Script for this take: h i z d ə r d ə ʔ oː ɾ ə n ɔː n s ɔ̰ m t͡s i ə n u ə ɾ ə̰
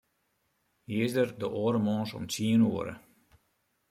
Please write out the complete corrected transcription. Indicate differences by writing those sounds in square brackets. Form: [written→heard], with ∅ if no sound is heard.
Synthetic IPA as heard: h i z d ə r d ə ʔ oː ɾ ə [n→m] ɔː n s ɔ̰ m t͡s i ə n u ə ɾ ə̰